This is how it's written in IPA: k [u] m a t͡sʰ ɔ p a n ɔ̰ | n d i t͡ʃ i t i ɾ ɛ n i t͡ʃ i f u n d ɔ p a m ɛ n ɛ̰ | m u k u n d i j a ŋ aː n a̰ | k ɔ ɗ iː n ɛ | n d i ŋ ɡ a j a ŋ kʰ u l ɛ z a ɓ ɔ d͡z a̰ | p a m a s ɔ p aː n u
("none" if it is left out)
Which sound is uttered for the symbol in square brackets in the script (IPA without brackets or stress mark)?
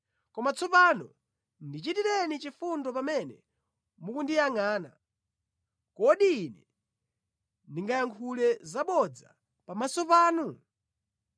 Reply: ɔ